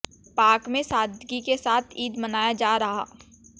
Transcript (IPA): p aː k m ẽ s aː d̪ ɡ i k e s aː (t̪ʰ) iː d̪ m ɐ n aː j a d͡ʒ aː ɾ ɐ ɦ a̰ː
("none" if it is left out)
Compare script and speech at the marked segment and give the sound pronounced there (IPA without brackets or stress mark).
t̪ʰ